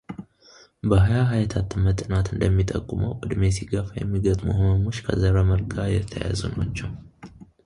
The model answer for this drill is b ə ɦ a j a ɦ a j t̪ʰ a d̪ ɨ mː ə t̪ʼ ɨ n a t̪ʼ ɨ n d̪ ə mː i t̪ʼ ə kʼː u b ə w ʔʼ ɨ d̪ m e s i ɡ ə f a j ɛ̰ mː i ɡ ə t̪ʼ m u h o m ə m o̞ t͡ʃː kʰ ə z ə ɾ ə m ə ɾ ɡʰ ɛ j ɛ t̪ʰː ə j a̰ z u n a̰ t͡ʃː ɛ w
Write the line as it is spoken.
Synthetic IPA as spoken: b ə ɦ a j a ɦ a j t̪ʰ a t̪ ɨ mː ə t̪ʼ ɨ n a t̪ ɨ n d̪ ə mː i t̪ʼ ə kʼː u m ə w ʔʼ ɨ d̪ m e s i ɡ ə f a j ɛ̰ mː i ɡ ə t̪ʼ m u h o m ə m o̞ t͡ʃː kʰ ə z ə ɾ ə m ə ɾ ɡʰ a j ɛ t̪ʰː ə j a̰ z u n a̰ t͡ʃː ɛ w